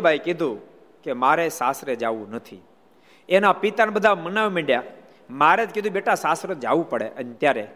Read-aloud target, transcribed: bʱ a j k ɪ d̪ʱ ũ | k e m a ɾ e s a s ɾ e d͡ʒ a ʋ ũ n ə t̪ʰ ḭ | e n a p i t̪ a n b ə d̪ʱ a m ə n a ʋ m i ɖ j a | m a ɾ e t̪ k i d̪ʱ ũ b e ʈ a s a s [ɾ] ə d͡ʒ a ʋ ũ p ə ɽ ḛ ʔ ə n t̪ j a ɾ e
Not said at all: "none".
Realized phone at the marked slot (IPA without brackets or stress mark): ɾ